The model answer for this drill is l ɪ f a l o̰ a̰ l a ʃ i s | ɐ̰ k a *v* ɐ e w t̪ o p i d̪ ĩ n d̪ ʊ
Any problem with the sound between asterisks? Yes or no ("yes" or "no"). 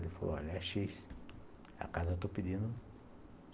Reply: yes